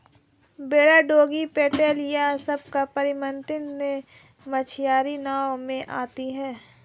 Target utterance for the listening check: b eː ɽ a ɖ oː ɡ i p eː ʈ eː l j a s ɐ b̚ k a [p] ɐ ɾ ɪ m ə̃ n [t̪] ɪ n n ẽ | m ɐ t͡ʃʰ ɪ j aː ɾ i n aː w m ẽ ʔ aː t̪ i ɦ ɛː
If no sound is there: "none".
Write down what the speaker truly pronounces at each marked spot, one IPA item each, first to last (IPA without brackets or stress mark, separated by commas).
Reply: p, t̪